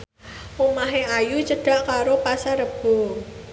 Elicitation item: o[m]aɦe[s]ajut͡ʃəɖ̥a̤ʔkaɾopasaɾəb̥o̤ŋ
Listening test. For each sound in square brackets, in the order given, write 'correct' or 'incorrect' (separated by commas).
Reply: correct, incorrect